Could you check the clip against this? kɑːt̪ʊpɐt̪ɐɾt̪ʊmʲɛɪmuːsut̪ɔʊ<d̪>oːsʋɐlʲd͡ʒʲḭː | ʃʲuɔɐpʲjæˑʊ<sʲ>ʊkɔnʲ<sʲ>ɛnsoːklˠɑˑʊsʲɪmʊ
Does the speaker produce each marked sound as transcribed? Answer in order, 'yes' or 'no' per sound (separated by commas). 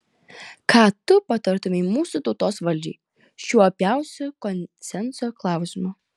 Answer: no, yes, yes